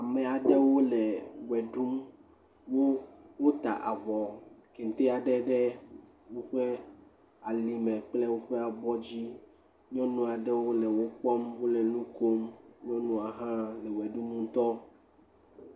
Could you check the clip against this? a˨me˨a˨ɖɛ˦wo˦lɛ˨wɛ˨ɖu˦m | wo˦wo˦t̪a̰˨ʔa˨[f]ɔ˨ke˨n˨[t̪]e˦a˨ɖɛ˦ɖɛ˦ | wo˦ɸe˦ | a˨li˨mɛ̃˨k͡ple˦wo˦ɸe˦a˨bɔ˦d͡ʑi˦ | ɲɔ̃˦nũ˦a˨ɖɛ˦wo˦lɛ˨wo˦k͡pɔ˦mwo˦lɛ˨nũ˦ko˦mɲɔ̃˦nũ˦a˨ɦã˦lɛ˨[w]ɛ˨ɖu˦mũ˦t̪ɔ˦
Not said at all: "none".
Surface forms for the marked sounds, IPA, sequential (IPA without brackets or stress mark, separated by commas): v, t̪, w